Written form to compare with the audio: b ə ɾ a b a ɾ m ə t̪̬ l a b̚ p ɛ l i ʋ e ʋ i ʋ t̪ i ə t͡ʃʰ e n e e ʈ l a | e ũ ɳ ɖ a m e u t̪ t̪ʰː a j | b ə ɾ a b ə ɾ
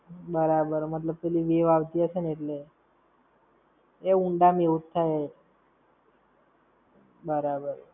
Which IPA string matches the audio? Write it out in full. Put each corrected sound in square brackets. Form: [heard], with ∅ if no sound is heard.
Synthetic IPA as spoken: b ə ɾ a b [ə] ɾ m ə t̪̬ l [ə] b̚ p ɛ l i ʋ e ʋ [a] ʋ t̪ i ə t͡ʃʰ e n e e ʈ l [e] | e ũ ɳ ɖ a m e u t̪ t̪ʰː a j | b ə ɾ a b ə ɾ